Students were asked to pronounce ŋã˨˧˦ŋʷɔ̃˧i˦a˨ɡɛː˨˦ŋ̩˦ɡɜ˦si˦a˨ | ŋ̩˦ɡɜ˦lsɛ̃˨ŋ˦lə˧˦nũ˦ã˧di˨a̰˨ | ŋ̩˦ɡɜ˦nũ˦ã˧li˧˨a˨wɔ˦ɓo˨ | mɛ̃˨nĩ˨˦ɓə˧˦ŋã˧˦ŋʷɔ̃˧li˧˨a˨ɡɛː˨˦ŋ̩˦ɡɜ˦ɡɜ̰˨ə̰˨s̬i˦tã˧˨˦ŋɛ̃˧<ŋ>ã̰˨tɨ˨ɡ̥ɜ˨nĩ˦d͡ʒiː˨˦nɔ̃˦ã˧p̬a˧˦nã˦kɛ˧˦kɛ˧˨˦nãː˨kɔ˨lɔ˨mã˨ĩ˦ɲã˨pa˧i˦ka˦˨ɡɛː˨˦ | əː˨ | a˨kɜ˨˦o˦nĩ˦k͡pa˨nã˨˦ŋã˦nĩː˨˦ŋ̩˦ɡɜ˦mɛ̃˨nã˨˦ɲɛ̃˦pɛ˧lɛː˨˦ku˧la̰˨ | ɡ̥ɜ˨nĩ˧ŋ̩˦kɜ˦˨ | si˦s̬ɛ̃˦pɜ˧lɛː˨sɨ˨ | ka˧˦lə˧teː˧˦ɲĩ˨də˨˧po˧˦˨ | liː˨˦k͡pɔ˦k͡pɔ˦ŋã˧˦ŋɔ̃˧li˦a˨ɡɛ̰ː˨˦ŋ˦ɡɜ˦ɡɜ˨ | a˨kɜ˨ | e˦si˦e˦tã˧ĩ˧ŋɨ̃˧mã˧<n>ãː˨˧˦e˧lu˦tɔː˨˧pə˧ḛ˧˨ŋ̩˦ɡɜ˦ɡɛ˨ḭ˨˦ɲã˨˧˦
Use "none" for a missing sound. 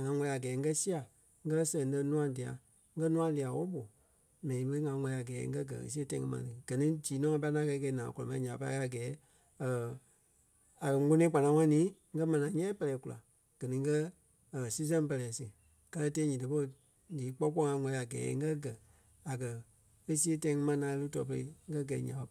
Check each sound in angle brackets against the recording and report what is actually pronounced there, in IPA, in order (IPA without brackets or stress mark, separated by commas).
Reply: m, n